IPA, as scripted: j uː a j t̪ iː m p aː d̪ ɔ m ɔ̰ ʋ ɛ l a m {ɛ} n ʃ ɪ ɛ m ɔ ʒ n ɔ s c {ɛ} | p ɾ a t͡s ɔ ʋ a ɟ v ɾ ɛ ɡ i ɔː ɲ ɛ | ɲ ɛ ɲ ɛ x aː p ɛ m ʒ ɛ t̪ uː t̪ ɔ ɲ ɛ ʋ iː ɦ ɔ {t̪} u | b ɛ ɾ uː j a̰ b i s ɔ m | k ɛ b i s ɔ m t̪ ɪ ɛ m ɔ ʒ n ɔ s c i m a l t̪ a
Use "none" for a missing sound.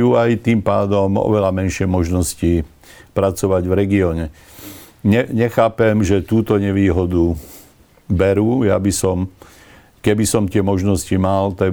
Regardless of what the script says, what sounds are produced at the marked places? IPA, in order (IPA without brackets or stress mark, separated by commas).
ɛ, i, d̪